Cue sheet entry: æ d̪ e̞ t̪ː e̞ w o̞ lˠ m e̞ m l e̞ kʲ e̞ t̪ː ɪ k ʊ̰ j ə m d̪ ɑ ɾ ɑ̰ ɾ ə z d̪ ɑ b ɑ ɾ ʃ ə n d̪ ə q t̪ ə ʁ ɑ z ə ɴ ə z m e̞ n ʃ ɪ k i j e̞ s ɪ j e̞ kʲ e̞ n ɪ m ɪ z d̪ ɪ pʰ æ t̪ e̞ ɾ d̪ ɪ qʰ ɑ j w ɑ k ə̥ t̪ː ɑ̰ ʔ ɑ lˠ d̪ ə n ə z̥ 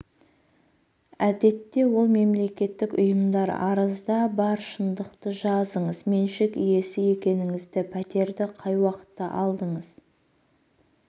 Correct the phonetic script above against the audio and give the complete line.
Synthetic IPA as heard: æ d̪ e̞ t̪ː e̞ w o̞ lˠ m e̞ m l e̞ kʲ e̞ t̪ː ɪ k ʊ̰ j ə m d̪ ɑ ɾ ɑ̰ ɾ ə z d̪ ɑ b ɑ ɾ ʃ ə n d̪ ə q t̪ ə ʒ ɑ z ə ɴ ə z m e̞ n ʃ ɪ k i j e̞ s ɪ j e̞ kʲ e̞ n ɪ ŋ ɪ z d̪ ɪ pʰ æ t̪ e̞ ɾ d̪ ɪ qʰ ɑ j w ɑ q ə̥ t̪ː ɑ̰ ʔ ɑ lˠ d̪ ə ɴ ə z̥